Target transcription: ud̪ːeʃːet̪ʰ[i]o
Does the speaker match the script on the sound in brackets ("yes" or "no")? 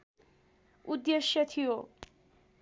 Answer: yes